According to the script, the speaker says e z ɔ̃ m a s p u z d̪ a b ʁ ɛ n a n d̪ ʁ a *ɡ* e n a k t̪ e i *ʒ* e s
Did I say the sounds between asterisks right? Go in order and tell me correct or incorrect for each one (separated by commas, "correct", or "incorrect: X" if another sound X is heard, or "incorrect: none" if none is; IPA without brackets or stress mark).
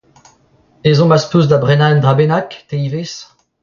incorrect: b, incorrect: v